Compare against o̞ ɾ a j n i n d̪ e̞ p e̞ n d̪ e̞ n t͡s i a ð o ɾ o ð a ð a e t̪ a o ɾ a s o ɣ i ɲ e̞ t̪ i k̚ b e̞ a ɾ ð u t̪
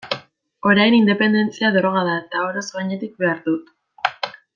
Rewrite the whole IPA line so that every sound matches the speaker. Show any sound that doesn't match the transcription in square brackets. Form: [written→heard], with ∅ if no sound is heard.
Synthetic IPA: o̞ ɾ a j n i n d̪ e̞ p e̞ n d̪ e̞ n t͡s i a ð o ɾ o [ð→ɣ] a ð a e t̪ a o ɾ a s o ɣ [i→a] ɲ e̞ t̪ i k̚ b e̞ a ɾ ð u t̪

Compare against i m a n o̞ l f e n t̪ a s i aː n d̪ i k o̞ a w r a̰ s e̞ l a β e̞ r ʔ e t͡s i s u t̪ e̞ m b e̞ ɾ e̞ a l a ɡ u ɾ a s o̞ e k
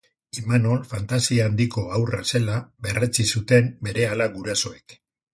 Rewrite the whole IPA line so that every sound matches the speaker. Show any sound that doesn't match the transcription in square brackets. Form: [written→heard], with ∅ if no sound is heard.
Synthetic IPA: i m a n o̞ l f [e→a] n t̪ a s i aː n d̪ i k o̞ a w r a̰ s e̞ l a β e̞ r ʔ e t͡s i s u t̪ e̞ m b e̞ ɾ e̞ a l a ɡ u ɾ a s o̞ e k

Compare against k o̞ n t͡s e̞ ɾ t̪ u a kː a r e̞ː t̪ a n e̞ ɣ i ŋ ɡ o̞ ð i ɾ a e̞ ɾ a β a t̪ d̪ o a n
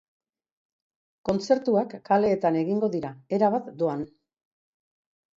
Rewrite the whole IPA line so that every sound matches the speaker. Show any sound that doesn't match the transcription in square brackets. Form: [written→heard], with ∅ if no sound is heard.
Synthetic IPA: k o̞ n t͡s e̞ ɾ t̪ u a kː a [r→l] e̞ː t̪ a n e̞ ɣ i ŋ ɡ o̞ ð i ɾ a e̞ ɾ a β a t̪ d̪ o a n

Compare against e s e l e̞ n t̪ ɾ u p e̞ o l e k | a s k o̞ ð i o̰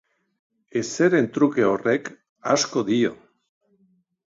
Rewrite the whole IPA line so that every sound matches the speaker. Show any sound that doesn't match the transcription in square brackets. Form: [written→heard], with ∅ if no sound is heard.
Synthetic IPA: e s e [l→ɾ] e̞ n t̪ ɾ u [p→k] e̞ o [l→r] e k | a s k o̞ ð i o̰

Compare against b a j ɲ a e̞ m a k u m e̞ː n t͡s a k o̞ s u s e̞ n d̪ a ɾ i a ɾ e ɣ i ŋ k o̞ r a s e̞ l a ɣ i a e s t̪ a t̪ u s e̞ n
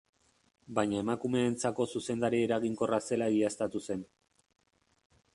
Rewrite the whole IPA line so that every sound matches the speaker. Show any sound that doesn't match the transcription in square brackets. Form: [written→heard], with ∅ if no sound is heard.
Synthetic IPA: b a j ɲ a e̞ m a k u m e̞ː n t͡s a k o̞ s u s e̞ n d̪ a ɾ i [a→e] ɾ [e→a] ɣ i ŋ k o̞ r a s e̞ l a ɣ i a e s t̪ a t̪ u s e̞ n

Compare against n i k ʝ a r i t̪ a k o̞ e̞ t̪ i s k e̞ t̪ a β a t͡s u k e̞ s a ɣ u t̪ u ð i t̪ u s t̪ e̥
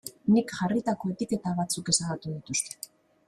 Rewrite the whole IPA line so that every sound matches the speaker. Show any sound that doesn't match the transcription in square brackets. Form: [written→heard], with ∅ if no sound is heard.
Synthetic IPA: n i k ʝ a r i t̪ a k o̞ e̞ t̪ i [s→∅] k e̞ t̪ a β a t͡s u k e̞ s a ɣ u t̪ u ð i t̪ u s t̪ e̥

